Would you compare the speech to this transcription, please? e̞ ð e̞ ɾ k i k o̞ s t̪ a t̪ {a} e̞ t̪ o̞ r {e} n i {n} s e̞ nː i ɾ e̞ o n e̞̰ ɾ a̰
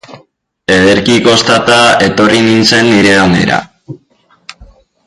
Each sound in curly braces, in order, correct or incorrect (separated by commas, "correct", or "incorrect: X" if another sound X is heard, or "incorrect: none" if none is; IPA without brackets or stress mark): correct, incorrect: i, correct